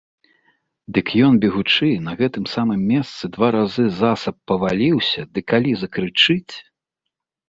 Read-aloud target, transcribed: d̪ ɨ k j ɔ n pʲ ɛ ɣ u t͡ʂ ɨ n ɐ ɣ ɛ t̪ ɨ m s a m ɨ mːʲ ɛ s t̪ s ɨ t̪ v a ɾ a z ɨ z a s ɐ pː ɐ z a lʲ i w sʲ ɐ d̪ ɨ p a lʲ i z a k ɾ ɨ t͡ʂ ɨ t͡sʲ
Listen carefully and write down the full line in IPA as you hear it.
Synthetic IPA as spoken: d̪ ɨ k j ɔ n bʲ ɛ ɣ u t͡ʂ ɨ n ɐ ɣ ɛ t̪ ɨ m s a m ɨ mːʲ ɛ s t̪ s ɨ d̪ v a ɾ a z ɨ z a s ɐ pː ɐ v a lʲ i w sʲ ɐ d̪ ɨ k a lʲ i z ɐ k ɾ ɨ t͡ʂ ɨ t͡sʲ